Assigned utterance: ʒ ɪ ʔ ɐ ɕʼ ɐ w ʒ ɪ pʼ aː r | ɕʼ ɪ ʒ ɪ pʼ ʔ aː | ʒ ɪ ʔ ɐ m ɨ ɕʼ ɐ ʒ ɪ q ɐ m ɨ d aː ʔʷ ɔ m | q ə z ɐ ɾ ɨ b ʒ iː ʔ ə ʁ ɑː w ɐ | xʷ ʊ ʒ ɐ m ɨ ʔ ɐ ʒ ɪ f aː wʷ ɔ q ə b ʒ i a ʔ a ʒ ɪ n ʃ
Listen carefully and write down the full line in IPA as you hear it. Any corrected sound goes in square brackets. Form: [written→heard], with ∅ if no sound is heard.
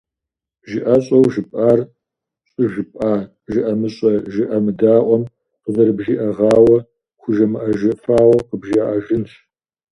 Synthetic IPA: ʒ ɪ ʔ ɐ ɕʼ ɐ w ʒ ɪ pʼ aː r | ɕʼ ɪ ʒ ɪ pʼ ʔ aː | ʒ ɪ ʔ ɐ m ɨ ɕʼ ɐ ʒ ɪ [q→ʔ] ɐ m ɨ d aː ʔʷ ɔ m | q ə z ɐ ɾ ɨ b ʒ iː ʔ [ə→ɐ] ʁ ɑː w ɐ | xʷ ʊ ʒ ɐ m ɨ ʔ ɐ ʒ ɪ f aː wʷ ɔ q ə b ʒ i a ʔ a ʒ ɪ n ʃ

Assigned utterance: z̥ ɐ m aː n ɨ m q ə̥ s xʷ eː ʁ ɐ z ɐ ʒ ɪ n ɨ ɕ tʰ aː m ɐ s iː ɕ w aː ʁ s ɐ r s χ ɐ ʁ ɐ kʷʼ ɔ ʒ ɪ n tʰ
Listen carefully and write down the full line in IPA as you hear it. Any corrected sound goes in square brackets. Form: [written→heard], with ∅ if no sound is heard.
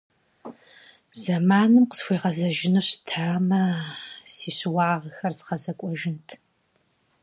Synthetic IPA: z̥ ɐ m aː n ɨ m q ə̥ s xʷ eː ʁ ɐ z ɐ ʒ ɪ n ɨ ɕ tʰ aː m ɐ s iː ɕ w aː ʁ [s→x] ɐ r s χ ɐ [ʁ→z] ɐ kʷʼ ɔ ʒ ɪ n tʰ

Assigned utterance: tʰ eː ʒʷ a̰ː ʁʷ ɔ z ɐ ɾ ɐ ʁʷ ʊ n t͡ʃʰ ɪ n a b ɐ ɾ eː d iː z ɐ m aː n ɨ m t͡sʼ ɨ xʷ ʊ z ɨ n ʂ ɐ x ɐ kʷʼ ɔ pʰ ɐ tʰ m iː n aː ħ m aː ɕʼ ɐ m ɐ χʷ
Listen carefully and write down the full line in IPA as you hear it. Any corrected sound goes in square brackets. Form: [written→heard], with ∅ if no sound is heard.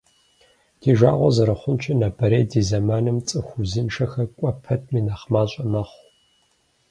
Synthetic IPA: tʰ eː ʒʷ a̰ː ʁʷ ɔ z ɐ ɾ ɐ [ʁʷ→χʷ] ʊ n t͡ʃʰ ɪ n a b ɐ ɾ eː d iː z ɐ m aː n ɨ m t͡sʼ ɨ xʷ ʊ z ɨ n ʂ ɐ x ɐ kʷʼ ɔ pʰ ɐ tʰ m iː n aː [ħ→χ] m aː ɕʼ ɐ m ɐ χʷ

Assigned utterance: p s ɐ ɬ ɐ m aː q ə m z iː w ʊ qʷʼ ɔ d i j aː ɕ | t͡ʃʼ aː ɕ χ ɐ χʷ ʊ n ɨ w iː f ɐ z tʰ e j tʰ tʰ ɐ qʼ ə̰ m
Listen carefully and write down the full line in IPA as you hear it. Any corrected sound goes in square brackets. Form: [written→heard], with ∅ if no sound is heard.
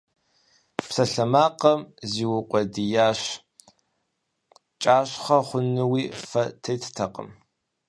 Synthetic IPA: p s ɐ ɬ ɐ m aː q [ə→ɐ] m z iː w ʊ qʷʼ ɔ d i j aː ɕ | t͡ʃʼ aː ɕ χ ɐ χʷ ʊ n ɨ w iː f ɐ [z→∅] tʰ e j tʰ tʰ ɐ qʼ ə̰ m

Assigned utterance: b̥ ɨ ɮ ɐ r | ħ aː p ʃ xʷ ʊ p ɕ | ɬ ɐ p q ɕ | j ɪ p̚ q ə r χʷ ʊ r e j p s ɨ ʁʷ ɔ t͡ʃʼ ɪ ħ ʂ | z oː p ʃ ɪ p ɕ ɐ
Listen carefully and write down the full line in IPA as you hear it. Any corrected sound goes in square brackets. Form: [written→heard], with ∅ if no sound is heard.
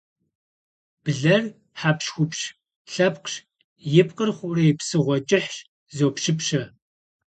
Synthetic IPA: b̥ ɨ ɮ ɐ r | ħ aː p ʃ xʷ ʊ p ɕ | ɬ ɐ p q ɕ | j ɪ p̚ q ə r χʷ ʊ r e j p s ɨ ʁʷ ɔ t͡ʃʼ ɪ ħ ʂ | z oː p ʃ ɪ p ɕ ɐ

